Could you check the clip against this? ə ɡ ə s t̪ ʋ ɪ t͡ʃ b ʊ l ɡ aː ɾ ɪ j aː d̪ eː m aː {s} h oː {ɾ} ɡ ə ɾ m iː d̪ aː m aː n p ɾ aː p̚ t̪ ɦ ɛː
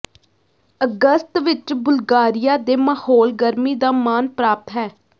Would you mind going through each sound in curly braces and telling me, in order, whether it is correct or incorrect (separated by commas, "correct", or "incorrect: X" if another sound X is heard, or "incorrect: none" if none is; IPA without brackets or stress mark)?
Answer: incorrect: none, incorrect: l